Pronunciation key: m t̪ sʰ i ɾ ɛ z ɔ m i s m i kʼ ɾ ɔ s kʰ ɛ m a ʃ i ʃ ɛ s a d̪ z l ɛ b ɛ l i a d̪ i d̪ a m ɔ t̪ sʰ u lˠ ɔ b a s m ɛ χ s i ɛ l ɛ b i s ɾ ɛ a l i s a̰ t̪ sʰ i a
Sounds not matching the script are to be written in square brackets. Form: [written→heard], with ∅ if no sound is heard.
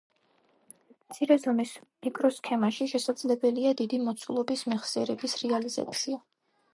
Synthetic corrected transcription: m t̪ sʰ i ɾ ɛ z ɔ m i s m i kʼ ɾ ɔ s kʰ ɛ m a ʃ i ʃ ɛ s a d̪ z l ɛ b ɛ l i a d̪ i d̪ [a→i] m ɔ t̪ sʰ u lˠ ɔ b [a→i] s m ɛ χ s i ɛ [l→ɾ] ɛ b i s ɾ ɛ a l i [s→z] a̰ t̪ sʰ i a